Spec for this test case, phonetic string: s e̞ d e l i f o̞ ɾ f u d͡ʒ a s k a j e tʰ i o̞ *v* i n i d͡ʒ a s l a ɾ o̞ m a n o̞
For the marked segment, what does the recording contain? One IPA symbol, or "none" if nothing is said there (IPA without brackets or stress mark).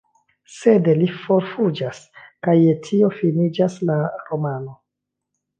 f